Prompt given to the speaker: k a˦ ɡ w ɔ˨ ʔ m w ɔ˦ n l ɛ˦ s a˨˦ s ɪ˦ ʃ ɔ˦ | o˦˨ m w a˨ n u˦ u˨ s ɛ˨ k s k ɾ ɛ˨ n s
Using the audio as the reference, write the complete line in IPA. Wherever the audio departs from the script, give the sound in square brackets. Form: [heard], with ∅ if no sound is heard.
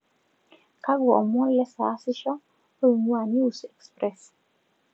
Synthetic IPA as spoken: k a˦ ɡ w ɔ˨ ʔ m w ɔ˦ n l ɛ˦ s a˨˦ s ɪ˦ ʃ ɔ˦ | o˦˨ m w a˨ n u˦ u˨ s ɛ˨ k s [p] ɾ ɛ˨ [∅] s